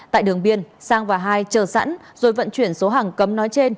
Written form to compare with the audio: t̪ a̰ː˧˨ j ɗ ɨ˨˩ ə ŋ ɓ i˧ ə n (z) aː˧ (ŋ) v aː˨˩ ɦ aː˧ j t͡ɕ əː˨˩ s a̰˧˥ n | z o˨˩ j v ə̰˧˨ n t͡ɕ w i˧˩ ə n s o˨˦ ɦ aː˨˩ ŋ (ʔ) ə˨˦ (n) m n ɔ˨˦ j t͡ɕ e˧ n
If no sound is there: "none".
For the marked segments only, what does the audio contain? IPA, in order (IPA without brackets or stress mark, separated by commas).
s, ŋ, k, none